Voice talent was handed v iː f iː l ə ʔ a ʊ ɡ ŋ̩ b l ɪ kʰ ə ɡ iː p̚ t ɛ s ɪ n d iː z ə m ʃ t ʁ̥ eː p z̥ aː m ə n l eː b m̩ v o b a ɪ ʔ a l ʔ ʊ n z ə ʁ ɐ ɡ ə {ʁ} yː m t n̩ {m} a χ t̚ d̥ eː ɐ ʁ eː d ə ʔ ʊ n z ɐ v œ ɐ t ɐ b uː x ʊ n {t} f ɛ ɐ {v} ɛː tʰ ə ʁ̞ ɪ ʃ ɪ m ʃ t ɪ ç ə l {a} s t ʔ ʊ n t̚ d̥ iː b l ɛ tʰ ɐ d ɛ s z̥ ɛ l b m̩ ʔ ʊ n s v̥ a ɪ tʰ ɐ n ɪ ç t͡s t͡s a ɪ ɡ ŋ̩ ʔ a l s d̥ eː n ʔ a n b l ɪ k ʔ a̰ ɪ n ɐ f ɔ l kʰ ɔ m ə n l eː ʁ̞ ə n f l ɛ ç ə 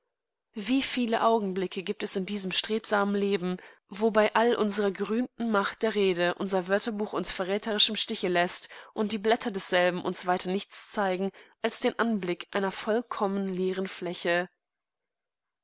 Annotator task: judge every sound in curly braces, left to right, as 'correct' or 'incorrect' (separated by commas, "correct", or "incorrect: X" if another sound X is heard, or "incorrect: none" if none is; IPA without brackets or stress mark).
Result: correct, correct, incorrect: s, incorrect: ʁ, incorrect: ɛ